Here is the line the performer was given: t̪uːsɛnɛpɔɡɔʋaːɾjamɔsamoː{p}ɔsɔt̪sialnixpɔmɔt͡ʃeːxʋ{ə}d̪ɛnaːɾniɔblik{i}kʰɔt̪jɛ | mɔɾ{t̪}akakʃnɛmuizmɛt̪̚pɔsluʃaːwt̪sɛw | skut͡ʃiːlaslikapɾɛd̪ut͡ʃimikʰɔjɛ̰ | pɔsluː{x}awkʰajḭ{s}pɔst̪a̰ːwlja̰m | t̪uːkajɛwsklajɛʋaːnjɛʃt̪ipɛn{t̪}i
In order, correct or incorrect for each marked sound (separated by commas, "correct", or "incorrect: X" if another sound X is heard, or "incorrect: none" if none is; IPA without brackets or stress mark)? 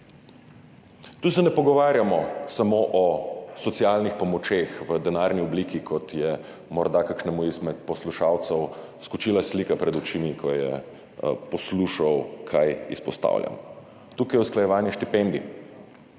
incorrect: ʔ, correct, correct, incorrect: d̪, incorrect: ʃ, correct, incorrect: d̪